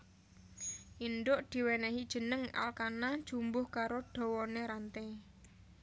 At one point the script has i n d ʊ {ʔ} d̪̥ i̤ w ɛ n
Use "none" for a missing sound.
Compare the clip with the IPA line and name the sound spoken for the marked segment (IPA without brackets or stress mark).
ʔ